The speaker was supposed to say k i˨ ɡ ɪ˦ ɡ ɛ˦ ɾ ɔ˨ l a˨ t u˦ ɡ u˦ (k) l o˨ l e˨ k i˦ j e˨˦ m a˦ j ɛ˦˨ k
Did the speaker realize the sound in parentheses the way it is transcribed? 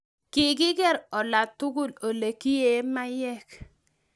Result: no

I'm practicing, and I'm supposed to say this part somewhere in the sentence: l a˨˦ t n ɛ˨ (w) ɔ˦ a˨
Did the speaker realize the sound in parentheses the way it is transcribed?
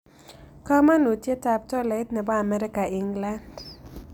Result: no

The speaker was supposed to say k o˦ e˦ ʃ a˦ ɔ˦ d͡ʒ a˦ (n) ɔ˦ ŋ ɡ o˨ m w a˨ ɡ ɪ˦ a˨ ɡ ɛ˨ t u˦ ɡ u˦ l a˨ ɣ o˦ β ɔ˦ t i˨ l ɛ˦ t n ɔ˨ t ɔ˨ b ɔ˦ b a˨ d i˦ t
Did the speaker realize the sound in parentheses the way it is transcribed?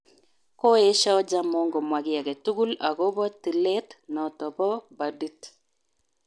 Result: no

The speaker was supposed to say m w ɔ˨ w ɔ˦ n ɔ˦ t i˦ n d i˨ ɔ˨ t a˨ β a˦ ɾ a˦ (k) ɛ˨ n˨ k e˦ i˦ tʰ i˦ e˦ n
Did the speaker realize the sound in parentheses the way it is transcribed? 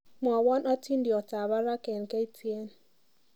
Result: yes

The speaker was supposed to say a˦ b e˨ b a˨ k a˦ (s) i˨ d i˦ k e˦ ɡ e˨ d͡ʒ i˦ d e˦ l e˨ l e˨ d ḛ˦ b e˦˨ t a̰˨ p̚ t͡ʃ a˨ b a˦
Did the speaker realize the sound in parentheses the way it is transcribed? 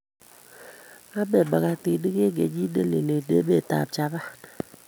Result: no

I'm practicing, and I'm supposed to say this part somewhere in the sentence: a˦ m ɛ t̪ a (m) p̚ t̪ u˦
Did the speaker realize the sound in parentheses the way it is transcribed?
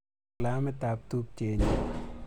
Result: no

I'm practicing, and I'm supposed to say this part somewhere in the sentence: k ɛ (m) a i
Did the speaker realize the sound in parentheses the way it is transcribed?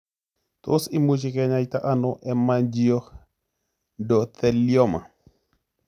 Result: no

